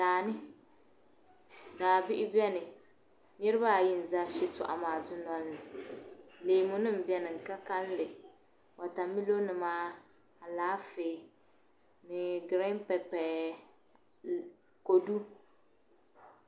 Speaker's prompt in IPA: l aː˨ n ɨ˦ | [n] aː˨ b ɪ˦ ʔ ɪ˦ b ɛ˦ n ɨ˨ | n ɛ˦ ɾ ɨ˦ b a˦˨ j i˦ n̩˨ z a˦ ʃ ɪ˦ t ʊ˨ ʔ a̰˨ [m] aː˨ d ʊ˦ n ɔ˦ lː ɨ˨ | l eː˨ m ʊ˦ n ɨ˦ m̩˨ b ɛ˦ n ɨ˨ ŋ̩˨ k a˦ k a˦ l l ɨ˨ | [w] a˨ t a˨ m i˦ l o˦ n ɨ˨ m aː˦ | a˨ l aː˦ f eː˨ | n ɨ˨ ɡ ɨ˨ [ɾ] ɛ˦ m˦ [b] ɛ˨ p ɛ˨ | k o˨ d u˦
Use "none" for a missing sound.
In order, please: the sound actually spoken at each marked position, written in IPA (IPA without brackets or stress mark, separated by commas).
d, m, w, ɾ, p